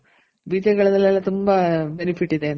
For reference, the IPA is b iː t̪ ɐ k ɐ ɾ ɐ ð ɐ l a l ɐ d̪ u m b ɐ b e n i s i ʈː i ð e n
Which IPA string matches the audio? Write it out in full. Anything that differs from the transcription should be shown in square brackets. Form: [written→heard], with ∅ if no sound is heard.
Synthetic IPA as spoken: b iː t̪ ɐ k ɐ [ɾ→ɭ] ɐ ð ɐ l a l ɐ [d̪→t̪] u m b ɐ b e n i [s→f] i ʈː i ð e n